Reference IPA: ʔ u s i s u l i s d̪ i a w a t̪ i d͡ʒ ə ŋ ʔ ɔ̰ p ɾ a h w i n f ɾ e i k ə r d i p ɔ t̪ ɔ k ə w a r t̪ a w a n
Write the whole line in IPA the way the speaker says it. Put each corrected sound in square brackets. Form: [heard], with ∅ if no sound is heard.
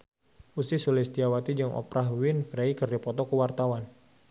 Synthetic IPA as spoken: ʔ u s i s u l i s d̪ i a w a t̪ i d͡ʒ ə ŋ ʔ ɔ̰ p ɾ a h w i n f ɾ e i k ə r d i p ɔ t̪ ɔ k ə w a r t̪ a w a n

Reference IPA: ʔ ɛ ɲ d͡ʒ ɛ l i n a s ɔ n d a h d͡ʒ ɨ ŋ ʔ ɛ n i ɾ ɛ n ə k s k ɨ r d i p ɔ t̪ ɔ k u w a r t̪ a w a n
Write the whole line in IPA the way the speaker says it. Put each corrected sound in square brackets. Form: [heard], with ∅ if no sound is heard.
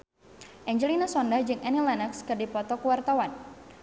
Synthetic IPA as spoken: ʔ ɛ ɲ d͡ʒ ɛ l i n a s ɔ n d a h d͡ʒ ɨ ŋ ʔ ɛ n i [l] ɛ n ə k s k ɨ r d i p ɔ t̪ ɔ k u w a r t̪ a w a n

